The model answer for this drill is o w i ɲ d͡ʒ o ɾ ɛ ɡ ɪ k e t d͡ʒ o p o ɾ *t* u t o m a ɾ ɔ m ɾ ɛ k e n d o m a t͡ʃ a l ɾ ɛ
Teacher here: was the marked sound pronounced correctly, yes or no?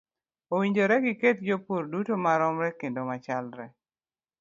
no